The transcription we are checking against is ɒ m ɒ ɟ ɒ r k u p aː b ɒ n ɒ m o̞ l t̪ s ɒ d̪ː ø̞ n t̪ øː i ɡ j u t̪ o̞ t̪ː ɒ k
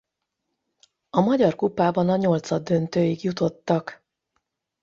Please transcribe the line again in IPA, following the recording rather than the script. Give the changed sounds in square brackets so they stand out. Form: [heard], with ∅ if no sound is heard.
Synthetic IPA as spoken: ɒ m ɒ ɟ ɒ r k u p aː b ɒ n ɒ [ɲ] o̞ l t̪ s ɒ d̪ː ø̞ n t̪ øː i ɡ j u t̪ o̞ t̪ː ɒ k